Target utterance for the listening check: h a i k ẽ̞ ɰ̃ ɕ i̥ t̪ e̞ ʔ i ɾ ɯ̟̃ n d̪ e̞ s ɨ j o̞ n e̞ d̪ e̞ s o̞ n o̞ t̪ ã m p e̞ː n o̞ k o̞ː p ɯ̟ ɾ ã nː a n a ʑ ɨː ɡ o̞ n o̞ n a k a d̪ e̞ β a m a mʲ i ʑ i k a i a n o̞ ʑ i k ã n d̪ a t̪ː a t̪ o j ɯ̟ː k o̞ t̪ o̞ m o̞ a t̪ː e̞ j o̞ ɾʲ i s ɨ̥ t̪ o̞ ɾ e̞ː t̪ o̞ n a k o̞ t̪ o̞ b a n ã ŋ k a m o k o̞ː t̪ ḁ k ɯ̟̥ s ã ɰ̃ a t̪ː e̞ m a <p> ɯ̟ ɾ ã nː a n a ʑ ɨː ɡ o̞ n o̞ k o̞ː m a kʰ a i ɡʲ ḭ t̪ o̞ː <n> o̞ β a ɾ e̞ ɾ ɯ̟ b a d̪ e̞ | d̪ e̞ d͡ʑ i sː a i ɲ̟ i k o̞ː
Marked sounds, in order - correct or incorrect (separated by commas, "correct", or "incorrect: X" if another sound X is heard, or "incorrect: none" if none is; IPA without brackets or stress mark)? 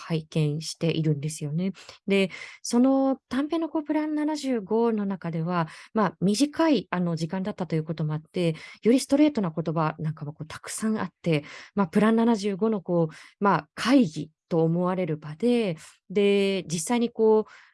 correct, incorrect: m